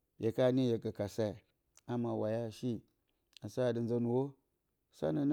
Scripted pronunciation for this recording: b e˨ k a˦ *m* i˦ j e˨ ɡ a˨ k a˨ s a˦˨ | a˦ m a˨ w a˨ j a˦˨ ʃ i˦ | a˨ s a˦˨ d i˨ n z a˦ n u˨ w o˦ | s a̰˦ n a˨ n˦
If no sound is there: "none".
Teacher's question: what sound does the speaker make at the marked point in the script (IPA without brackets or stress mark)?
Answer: n